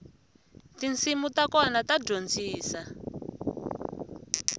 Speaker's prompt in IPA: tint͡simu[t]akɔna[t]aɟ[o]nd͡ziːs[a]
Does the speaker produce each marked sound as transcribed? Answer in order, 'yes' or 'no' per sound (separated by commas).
yes, yes, yes, yes